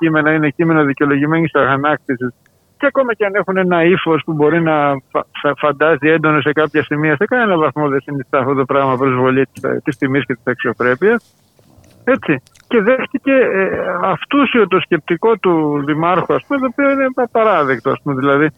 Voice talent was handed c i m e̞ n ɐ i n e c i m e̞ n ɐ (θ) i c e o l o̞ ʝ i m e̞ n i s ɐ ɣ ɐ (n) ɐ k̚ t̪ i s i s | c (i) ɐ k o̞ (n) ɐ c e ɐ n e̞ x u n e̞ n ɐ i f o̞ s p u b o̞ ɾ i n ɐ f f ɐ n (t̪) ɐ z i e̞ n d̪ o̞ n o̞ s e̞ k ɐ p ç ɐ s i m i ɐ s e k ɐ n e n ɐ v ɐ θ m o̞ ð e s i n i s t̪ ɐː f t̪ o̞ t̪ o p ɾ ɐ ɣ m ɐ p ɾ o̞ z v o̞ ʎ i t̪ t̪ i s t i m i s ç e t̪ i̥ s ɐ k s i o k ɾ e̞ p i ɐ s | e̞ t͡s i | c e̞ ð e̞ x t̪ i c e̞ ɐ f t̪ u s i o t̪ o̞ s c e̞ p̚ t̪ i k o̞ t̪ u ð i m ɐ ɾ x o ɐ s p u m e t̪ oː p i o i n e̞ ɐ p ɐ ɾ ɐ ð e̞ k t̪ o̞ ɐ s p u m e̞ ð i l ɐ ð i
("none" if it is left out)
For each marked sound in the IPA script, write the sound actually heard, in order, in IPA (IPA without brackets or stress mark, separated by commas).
ð, n, e, m, d̪